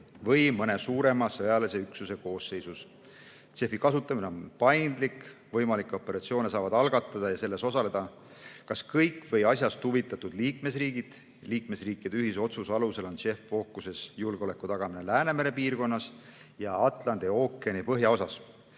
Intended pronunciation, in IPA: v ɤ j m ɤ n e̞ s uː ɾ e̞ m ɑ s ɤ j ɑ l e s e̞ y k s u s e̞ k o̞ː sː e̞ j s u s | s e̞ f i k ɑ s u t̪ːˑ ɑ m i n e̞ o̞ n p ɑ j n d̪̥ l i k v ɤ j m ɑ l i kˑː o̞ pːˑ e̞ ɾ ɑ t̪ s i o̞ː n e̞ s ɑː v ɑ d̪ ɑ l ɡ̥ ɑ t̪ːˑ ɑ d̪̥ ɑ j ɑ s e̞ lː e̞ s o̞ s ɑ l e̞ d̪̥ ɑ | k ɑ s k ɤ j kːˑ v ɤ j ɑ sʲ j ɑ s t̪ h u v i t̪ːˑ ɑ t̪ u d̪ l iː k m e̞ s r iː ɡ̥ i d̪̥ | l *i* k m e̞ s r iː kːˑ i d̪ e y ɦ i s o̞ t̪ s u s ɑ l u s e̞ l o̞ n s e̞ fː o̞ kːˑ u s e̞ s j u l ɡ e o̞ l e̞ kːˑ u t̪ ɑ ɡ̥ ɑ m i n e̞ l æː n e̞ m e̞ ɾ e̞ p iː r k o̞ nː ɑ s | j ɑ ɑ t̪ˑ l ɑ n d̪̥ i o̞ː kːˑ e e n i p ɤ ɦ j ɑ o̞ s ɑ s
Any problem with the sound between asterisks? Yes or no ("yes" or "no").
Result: yes